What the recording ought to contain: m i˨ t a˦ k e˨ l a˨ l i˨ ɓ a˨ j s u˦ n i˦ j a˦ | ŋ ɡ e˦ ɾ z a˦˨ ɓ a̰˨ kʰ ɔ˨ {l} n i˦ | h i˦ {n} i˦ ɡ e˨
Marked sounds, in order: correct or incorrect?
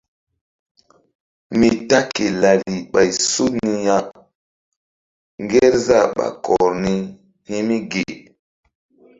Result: incorrect: ɾ, incorrect: m

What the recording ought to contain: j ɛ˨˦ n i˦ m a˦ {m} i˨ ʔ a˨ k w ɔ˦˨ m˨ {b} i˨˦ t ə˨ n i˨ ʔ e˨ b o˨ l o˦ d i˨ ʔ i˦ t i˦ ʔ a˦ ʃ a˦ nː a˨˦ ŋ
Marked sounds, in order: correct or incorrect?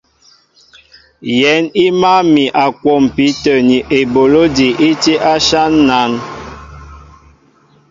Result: correct, incorrect: p

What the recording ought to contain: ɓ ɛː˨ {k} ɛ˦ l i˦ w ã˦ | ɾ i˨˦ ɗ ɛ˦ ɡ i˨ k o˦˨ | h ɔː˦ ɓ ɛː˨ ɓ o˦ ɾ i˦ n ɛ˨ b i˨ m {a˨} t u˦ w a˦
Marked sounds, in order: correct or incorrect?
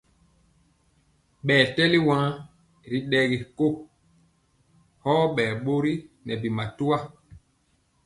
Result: incorrect: t, correct

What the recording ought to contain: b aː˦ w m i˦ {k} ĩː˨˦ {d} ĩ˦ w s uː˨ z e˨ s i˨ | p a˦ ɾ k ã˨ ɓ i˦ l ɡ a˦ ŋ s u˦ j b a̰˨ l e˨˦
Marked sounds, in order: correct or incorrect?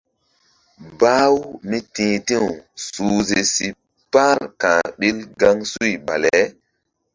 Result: incorrect: t, incorrect: t

